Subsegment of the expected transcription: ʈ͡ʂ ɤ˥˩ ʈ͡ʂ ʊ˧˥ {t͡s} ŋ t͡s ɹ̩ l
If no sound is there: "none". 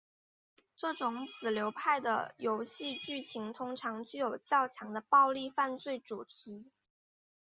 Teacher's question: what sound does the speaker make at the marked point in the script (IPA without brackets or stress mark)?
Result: none